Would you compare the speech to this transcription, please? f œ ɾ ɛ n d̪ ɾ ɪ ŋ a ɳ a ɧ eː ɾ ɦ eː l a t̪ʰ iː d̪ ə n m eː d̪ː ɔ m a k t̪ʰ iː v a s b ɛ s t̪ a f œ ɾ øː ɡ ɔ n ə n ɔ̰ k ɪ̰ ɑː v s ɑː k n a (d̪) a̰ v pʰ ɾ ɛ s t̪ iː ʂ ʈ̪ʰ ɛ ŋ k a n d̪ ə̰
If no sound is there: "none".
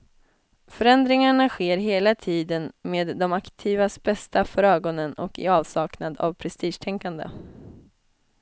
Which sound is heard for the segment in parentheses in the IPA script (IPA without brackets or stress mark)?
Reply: d̪